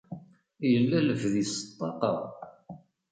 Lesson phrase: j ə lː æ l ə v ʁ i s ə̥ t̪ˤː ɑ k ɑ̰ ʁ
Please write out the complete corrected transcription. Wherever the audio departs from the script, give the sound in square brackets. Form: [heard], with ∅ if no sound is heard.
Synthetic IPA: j ə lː æ l ə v [ð] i s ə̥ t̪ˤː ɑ [q] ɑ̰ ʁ